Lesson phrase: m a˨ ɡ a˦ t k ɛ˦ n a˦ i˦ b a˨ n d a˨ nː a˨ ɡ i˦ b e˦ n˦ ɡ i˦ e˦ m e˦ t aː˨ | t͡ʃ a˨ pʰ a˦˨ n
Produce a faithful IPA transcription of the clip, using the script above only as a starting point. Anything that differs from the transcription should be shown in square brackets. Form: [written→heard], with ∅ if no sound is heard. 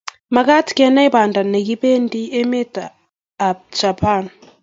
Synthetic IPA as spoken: m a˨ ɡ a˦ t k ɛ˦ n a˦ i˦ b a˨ n d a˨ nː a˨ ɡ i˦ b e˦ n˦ [ɡ→d] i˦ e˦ m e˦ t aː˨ | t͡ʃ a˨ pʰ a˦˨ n